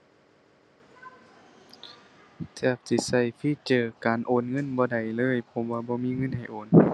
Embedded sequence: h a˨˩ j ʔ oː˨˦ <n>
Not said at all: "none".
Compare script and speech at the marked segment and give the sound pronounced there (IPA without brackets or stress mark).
n